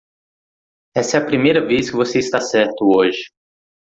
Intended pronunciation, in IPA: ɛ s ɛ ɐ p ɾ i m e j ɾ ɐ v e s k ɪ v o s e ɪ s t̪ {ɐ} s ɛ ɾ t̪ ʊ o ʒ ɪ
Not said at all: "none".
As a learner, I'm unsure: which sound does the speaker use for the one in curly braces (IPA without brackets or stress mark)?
a